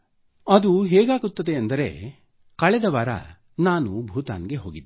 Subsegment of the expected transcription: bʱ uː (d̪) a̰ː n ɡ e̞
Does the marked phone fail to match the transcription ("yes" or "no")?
yes